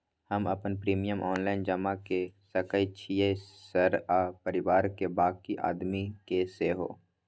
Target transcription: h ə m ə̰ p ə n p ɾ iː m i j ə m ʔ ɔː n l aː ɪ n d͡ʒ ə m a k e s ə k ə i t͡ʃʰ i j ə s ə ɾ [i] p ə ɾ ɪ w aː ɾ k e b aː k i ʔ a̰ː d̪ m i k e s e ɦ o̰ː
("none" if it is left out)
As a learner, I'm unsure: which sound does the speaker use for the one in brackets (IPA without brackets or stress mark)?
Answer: a